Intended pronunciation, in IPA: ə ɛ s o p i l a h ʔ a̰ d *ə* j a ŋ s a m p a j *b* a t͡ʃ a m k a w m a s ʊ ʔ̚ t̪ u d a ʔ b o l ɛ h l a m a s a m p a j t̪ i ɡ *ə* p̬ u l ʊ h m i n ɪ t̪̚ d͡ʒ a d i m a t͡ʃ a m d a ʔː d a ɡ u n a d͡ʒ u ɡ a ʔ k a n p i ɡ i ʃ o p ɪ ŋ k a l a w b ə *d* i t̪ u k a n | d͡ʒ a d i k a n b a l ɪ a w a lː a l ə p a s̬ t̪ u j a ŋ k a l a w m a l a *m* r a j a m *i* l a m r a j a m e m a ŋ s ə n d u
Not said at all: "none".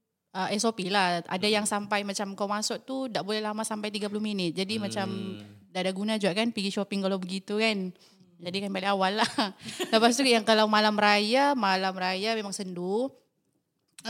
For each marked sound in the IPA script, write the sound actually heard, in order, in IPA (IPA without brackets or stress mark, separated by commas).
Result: a, m, a, ɡ, m, a